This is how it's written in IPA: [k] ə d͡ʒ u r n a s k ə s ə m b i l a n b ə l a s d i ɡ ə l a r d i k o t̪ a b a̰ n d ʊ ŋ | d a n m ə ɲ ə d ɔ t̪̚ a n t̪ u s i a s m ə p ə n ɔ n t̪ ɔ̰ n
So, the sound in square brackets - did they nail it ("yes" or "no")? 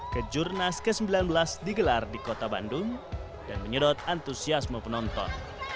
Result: yes